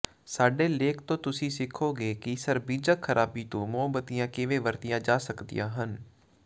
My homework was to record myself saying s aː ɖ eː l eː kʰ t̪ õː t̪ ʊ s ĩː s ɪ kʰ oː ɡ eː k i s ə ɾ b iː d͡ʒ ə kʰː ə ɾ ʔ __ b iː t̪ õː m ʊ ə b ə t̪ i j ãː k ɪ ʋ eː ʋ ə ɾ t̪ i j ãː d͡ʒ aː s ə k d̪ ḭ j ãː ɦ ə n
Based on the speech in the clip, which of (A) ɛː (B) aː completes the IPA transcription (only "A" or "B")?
B